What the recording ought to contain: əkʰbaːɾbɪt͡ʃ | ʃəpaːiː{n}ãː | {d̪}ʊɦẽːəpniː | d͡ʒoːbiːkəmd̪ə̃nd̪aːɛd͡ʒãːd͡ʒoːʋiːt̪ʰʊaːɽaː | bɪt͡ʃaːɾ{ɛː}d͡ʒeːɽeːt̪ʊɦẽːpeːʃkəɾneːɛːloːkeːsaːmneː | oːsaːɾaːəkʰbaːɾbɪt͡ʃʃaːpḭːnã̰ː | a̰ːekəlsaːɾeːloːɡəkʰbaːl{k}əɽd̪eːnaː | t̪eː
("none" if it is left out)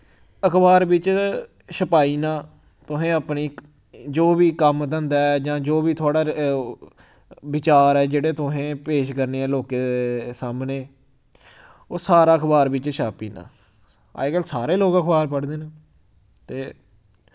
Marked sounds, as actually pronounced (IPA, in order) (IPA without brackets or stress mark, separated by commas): n, t̪, ɛː, p